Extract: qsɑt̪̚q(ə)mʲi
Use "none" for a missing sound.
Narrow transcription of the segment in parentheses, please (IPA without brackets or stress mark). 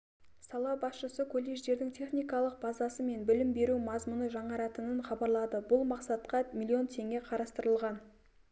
ɑ